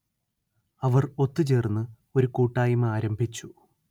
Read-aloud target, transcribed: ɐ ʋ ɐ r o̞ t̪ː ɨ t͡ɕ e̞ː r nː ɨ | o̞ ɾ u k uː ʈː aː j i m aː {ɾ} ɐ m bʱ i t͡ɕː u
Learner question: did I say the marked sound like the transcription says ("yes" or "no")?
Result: yes